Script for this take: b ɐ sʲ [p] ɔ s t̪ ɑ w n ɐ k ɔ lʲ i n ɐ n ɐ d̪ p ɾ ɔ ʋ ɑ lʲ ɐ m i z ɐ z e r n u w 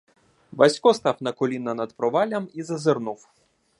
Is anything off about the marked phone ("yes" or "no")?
yes